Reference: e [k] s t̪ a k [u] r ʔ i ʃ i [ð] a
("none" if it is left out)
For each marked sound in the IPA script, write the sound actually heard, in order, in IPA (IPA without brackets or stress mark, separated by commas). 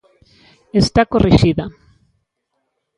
none, o, ð